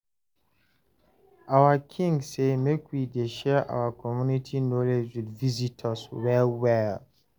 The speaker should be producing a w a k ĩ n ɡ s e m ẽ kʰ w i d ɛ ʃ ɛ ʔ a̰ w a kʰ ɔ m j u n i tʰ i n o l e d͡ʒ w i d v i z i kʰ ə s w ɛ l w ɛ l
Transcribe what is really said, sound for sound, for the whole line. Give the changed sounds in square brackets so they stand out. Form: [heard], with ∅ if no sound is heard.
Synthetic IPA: a w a [kʰ] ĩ [ŋ] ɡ s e m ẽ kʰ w i d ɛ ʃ ɛ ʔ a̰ w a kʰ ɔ m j u n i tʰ i n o l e d͡ʒ w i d v i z i [tʰ] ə s w ɛ l w ɛ l